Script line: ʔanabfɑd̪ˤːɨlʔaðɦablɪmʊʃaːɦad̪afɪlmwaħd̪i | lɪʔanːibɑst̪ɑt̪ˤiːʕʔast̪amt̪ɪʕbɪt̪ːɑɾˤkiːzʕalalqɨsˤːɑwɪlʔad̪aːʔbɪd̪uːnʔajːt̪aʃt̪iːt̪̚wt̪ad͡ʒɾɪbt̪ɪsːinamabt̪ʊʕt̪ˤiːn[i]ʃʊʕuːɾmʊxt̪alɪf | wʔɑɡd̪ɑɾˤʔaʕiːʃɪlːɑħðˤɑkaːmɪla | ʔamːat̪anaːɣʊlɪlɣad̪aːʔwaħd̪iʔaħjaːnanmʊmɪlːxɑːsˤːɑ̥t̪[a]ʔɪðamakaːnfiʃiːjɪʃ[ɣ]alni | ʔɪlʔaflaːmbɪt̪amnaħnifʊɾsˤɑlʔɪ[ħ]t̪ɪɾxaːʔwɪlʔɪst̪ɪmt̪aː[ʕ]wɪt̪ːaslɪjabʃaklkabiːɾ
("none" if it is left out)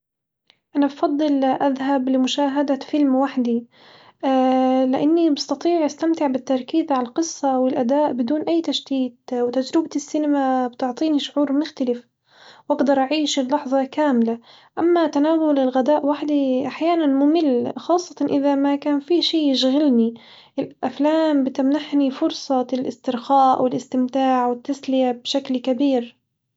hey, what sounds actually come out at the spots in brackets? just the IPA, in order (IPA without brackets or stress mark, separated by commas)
i, ɑ, ɣ, s, ʕ